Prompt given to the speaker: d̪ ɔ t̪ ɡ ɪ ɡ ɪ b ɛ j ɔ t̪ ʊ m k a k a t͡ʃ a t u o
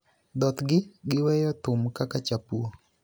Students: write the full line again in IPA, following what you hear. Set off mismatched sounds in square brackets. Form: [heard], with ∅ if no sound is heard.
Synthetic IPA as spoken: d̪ ɔ t̪ ɡ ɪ ɡ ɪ [w] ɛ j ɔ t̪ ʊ m k a k a t͡ʃ a [p] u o